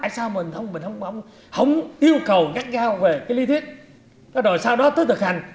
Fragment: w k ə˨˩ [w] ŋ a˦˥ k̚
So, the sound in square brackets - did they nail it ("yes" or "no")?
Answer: yes